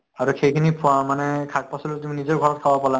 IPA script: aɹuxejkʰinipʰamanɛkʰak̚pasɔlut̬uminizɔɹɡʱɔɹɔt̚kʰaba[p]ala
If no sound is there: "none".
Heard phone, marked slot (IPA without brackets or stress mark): p